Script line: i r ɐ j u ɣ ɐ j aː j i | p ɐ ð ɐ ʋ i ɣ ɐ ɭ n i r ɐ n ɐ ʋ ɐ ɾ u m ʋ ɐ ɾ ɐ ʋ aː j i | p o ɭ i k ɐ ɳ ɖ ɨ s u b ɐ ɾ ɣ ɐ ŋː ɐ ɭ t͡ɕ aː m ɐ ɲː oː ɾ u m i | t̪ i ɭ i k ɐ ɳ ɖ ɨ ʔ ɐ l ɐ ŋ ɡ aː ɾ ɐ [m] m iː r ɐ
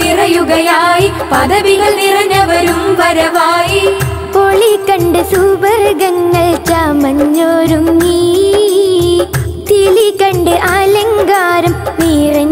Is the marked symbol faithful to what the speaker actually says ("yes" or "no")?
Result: yes